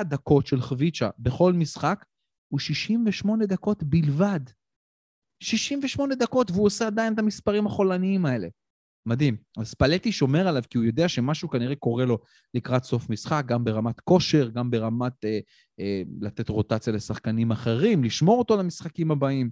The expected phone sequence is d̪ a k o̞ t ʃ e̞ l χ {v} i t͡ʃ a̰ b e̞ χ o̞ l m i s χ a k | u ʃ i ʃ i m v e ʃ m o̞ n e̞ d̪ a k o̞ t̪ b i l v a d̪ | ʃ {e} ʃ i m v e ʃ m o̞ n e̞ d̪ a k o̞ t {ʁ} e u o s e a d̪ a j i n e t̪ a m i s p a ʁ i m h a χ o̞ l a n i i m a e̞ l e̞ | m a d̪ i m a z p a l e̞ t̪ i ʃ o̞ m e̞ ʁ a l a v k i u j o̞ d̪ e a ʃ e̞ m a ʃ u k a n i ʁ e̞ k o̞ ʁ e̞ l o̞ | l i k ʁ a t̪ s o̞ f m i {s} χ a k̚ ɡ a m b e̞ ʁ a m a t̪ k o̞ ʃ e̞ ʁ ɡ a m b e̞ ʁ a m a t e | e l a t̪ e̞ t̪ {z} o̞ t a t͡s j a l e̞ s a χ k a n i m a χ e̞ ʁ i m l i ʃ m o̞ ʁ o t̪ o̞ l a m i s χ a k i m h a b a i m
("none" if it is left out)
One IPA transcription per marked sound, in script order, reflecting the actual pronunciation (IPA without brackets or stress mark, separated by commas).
v, i, v, s, ʁ